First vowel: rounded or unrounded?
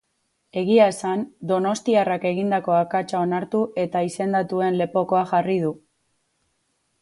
unrounded